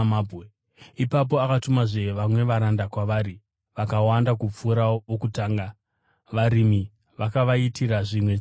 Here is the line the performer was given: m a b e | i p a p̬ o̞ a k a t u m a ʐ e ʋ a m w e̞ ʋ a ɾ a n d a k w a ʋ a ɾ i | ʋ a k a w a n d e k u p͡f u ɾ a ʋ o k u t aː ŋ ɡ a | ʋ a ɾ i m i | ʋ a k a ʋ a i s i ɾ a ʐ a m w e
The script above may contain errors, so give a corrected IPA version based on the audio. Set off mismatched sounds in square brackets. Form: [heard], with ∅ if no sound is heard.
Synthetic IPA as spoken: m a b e | i p a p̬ o̞ a k a t u m a ʐ e ʋ a m w e̞ ʋ a ɾ a n d a k w a ʋ a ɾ i | ʋ a k a w a n d [a] k u p͡f u ɾ a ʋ o k u t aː ŋ ɡ a | ʋ a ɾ i m i | ʋ a k a ʋ a i [t] i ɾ a ʐ [i] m w e